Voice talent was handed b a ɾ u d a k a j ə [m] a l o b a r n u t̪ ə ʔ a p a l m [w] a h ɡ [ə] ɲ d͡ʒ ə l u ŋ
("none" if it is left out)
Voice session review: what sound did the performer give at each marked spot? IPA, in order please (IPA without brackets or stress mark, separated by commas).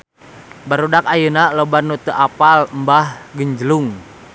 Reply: n, b, ə